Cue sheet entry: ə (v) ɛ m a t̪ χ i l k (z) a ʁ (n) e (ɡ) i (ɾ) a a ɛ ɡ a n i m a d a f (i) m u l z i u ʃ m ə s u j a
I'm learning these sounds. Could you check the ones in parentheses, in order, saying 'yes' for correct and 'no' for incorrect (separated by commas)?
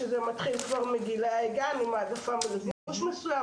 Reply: no, no, no, yes, no, no